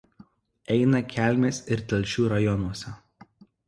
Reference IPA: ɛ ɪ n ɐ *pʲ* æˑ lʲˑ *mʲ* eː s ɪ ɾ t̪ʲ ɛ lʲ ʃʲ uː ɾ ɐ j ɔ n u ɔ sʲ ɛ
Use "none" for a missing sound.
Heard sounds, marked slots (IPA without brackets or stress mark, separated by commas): kʲ, mʲ